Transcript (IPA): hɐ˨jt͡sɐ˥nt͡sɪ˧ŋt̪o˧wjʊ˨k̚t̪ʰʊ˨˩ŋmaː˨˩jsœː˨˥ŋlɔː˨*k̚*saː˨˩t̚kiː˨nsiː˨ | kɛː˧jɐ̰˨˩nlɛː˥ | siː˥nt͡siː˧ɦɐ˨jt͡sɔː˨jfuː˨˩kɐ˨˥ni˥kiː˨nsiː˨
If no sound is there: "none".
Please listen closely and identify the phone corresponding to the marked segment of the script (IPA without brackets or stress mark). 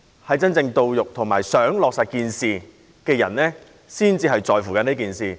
k̚